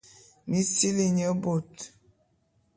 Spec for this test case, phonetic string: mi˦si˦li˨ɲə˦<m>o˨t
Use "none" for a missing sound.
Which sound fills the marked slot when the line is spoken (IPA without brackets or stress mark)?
b